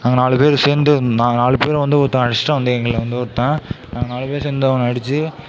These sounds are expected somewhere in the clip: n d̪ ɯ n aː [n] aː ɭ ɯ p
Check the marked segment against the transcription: correct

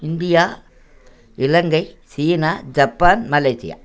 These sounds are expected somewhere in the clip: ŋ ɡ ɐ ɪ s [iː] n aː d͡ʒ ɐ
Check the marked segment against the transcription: correct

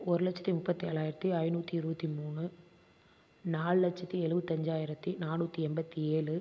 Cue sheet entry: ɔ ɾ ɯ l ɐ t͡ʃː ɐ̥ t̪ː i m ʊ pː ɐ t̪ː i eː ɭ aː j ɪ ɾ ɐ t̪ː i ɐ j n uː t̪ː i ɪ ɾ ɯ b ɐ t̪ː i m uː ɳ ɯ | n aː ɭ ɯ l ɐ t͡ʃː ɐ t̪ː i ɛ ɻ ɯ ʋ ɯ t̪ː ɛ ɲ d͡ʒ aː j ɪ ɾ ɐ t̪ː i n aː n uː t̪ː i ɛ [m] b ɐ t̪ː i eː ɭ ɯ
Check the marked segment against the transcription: correct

